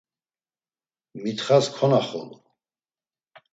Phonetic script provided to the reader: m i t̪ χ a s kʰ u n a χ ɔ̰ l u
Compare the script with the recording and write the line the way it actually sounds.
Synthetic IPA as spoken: m i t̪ χ a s kʰ ɔ n a χ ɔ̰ l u